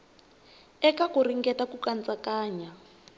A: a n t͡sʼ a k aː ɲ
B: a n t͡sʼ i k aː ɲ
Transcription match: A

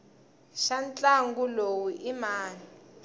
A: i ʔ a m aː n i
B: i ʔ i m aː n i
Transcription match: B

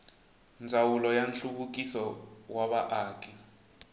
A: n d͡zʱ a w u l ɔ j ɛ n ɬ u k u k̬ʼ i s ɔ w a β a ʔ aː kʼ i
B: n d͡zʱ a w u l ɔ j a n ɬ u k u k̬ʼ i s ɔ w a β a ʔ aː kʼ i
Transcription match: B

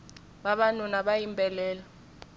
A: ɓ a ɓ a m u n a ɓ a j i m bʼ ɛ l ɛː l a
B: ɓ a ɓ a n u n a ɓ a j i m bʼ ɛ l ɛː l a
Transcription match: B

